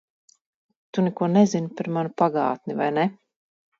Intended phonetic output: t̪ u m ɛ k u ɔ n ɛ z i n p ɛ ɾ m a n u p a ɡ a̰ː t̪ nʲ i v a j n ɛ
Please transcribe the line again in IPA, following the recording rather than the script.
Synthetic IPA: t̪ u n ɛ k u ɔ n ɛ z i n p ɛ ɾ m a n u p a ɡ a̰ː t̪ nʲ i v a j n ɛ

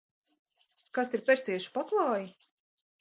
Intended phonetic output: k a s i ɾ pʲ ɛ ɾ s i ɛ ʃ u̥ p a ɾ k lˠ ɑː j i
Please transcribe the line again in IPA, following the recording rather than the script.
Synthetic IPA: k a s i ɾ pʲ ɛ ɾ s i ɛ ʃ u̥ p a k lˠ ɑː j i

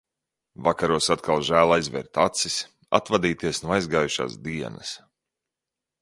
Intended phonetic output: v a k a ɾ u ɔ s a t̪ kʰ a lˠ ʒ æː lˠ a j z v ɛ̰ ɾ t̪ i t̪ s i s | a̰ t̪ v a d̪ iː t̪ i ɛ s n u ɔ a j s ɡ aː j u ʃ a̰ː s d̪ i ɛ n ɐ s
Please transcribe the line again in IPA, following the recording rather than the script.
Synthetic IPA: v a k a ɾ u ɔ s a t̪ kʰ a lˠ ʒ æː lˠ a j z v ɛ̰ ɾ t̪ a t̪ s i s | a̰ t̪ v a d̪ iː t̪ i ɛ s n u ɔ a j z ɡ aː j u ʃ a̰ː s d̪ i ɛ n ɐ s

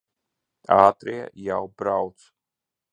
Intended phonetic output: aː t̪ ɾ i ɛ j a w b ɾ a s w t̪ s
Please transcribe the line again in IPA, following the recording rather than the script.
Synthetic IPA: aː t̪ ɾ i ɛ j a w b ɾ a w t̪ s

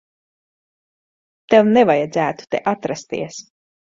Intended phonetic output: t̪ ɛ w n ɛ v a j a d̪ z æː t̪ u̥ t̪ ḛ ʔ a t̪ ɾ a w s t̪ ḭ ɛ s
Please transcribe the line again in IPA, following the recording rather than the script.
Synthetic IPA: t̪ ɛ w n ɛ v a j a d̪ z æː t̪ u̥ t̪ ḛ ʔ a t̪ ɾ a s t̪ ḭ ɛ s

